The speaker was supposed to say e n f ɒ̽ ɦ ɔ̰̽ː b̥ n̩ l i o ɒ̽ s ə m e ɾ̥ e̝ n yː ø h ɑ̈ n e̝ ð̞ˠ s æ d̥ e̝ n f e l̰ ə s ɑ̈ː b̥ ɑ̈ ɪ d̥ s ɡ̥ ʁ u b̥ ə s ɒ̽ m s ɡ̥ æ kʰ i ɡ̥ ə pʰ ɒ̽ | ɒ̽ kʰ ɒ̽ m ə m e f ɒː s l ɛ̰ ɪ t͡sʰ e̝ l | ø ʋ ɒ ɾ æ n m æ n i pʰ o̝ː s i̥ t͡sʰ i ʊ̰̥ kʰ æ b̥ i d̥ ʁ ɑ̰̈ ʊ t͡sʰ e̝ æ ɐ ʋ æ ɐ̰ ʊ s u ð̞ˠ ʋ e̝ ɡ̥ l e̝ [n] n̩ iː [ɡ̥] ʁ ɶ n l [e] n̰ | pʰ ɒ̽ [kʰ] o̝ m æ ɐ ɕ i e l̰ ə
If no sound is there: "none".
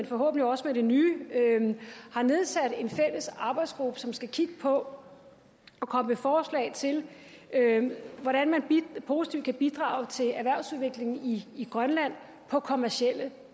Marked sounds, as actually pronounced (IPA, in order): ŋ, ɡ̥, æ, kʰ

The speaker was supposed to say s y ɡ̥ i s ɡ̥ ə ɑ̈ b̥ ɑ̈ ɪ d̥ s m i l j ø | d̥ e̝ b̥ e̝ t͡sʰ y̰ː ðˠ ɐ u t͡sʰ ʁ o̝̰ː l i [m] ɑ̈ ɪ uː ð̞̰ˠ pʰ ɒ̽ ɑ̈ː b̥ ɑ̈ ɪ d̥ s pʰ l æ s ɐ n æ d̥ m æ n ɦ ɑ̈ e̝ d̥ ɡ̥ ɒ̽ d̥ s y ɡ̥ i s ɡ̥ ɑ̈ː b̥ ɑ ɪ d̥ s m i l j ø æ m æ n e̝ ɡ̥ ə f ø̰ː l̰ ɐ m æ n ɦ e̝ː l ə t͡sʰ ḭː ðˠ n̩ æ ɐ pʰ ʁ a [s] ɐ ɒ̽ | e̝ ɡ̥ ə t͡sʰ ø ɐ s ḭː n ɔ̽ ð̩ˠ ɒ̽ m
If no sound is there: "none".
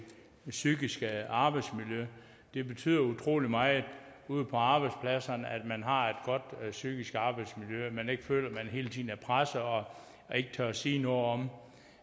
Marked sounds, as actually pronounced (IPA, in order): m, s

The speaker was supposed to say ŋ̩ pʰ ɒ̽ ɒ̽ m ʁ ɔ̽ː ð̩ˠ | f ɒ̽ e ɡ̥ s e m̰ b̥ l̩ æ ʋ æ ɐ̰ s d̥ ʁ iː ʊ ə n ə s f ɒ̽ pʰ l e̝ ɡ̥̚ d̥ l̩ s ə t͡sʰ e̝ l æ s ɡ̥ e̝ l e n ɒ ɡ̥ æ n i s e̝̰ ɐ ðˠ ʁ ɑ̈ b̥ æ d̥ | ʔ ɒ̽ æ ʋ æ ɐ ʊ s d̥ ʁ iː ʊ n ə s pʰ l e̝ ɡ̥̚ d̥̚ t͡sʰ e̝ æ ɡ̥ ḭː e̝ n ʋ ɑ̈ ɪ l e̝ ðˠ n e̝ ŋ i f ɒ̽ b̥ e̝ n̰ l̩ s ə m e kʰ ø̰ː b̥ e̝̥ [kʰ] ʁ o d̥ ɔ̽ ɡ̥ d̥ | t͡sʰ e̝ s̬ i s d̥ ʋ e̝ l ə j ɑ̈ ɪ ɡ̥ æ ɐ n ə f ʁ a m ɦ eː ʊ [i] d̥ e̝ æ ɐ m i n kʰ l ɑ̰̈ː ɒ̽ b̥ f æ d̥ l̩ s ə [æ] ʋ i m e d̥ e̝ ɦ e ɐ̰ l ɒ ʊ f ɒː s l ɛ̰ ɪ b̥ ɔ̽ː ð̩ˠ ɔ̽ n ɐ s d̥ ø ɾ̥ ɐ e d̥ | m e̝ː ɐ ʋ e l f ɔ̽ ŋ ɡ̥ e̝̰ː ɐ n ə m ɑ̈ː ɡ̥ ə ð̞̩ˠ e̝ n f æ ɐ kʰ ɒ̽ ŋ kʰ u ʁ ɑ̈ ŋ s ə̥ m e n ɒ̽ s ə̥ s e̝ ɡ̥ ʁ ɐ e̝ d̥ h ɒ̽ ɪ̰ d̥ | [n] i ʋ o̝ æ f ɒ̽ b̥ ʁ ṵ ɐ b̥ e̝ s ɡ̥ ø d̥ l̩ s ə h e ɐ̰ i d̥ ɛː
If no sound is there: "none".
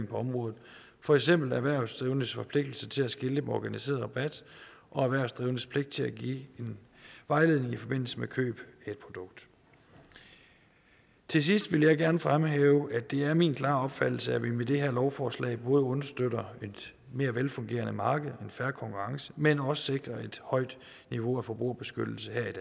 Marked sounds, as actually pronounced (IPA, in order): pʰ, æ, æ, n

